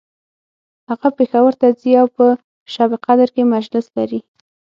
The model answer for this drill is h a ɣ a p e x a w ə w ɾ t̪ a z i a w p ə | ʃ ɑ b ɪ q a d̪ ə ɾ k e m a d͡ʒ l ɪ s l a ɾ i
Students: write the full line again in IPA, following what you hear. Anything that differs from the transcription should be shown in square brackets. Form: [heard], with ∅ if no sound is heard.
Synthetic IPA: h a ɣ a p e x a w ə [∅] ɾ t̪ a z i a w p ə | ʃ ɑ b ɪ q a d̪ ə ɾ k e m a d͡ʒ l ɪ s l a ɾ i

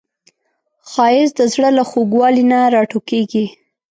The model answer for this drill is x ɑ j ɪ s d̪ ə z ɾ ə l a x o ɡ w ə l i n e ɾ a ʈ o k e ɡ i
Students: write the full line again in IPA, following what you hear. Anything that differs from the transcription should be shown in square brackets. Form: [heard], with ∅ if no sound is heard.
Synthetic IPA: x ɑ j ɪ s d̪ ə z [ɽ] ə l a x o ɡ w [ɑ] l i n [a] ɾ [ɑ] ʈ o k e ɡ i

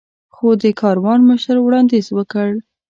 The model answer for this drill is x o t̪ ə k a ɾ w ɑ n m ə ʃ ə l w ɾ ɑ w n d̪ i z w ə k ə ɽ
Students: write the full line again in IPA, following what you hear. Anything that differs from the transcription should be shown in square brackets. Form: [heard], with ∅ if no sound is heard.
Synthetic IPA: x o [d̪] ə k [ɑ] ɾ w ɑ n m ə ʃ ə [ɾ] w [ɽ] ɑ [∅] n d̪ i z w ə k ə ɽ

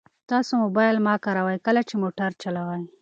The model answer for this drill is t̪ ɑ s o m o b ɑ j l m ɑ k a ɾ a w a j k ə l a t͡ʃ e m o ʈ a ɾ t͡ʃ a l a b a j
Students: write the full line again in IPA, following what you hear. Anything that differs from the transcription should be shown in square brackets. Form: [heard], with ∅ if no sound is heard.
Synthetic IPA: t̪ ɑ s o m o b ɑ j l m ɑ k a ɾ a w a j k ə l a t͡ʃ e m o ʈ a ɾ t͡ʃ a l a [w] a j

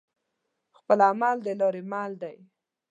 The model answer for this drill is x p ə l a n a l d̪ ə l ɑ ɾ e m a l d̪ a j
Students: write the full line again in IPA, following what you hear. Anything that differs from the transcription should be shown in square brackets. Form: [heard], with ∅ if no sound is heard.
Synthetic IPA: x p ə l a [m] a l d̪ ə l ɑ ɾ e m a l d̪ a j

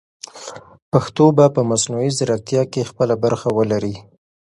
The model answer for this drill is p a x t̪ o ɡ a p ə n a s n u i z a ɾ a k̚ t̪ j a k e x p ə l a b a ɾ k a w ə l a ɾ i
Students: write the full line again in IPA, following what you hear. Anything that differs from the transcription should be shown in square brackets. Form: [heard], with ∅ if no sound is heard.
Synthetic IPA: p a x t̪ o [b] a p ə [m] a s n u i z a ɾ a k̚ t̪ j [ɑ] k e x p ə l a b a ɾ [x] a w ə l a ɾ i

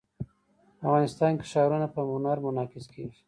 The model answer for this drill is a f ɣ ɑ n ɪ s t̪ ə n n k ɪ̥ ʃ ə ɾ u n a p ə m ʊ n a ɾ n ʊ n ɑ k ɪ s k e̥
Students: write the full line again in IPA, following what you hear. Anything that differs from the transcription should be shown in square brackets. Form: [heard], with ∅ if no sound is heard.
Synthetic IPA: a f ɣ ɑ n ɪ s t̪ [ɑ] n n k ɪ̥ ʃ [ɑ] ɾ u n a p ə m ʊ n a ɾ [m] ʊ n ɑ k ɪ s k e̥

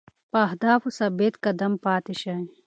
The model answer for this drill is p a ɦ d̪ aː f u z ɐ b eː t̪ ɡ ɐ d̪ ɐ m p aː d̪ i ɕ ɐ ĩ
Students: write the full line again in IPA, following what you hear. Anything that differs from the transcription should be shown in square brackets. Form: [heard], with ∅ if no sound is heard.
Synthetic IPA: p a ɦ d̪ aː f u [s] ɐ b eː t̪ [k] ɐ d̪ ɐ m p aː [t̪] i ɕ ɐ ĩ

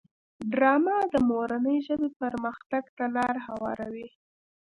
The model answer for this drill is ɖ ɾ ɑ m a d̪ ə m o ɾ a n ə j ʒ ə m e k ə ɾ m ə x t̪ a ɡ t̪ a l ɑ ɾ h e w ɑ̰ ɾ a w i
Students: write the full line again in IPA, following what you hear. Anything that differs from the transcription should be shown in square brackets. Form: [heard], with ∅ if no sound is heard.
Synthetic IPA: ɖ ɾ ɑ m a d̪ ə m o ɾ a n ə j ʒ ə [b] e [p] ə ɾ m ə x t̪ a ɡ t̪ a l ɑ ɾ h [a] w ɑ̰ ɾ a w i

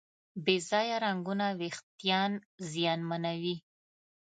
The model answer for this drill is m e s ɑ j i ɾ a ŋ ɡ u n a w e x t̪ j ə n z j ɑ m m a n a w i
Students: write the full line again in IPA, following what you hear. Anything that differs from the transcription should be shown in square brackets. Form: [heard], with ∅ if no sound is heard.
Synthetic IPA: [b] e [z] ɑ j [a] ɾ a ŋ ɡ u n a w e x t̪ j [ɑ] n z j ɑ [n] m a n a w i

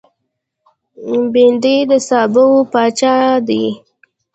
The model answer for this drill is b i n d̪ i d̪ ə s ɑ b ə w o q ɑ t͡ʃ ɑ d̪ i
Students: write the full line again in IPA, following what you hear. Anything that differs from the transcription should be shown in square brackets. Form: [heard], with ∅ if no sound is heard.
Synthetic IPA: b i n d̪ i d̪ ə s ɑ b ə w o [p] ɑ t͡ʃ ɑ d̪ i

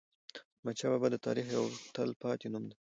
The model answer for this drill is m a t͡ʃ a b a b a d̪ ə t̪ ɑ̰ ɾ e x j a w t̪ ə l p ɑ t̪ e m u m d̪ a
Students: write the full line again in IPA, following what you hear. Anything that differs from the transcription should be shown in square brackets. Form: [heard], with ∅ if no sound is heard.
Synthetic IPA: m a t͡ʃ a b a b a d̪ ə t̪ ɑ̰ ɾ [i] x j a w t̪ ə l p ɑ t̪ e [n] u m d̪ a

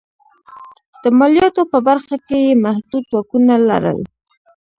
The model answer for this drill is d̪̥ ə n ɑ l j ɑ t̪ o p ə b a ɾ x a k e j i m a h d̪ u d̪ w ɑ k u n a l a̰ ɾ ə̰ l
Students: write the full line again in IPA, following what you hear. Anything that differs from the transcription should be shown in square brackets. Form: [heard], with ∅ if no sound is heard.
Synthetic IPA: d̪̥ ə [m] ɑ l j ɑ t̪ o p ə b a ɾ x a k e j [e] m a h d̪ u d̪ w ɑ k u n a l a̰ ɾ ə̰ l

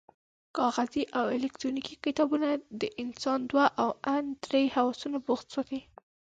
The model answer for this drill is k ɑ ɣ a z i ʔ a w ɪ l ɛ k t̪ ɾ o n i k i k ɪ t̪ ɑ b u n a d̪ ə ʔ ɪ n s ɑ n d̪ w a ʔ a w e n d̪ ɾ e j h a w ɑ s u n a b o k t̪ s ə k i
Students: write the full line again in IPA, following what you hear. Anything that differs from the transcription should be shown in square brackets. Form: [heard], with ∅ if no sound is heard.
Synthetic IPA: k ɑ ɣ a z i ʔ a w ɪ l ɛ k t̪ ɾ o n i k i k ɪ t̪ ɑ b u n a d̪ ə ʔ ɪ n s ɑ n d̪ w a ʔ a w [a] n d̪ ɾ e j h a w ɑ s u n a b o [x] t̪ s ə k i

